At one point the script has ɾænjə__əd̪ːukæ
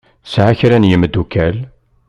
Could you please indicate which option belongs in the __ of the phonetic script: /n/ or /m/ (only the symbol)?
m